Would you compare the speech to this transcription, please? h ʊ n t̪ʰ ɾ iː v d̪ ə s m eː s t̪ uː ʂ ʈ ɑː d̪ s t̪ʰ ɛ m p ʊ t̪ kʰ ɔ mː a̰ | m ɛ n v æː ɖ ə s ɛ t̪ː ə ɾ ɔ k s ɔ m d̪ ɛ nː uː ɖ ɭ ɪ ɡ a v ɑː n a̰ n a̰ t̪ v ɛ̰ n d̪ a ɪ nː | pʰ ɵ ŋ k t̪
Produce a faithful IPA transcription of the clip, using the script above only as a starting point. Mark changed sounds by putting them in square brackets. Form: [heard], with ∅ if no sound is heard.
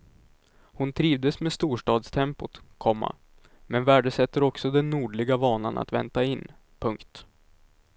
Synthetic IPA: h ʊ n t̪ʰ ɾ iː v d̪ ə s m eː s t̪ uː ʂ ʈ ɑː d̪ s t̪ʰ ɛ m p ʊ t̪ kʰ ɔ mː a̰ | m ɛ n v æː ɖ ə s ɛ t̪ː ə ɾ ɔ k s ɔ [∅] d̪ ɛ nː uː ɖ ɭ ɪ ɡ a v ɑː n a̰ n a̰ t̪ v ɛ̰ n [t̪] a ɪ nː | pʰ ɵ ŋ k t̪